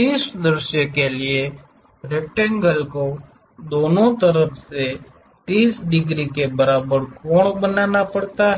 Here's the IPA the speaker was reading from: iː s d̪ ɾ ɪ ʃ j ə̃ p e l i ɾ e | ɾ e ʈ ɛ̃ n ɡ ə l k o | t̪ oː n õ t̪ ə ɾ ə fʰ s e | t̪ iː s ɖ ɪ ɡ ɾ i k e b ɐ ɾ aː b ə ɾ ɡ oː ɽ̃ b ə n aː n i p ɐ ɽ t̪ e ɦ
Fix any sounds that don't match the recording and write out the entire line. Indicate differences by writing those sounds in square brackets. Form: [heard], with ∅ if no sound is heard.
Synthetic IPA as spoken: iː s d̪ ɾ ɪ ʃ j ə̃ [k] e l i [∅] e | ɾ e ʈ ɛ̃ [ŋ] ɡ ə l k o | [d̪] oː n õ t̪ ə ɾ ə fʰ s e | t̪ iː s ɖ ɪ ɡ ɾ i k e b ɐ ɾ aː b ə ɾ [k] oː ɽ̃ b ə n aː n [a] p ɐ ɽ t̪ [a] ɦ